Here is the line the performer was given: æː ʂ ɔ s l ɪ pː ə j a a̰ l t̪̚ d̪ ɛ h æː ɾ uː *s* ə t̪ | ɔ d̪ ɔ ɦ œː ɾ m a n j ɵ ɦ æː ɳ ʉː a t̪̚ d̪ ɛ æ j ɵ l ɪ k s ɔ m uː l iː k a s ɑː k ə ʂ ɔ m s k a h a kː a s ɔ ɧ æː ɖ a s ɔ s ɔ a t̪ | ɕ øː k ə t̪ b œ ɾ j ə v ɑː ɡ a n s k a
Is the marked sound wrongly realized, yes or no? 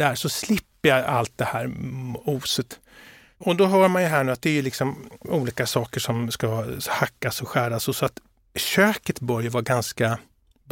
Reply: no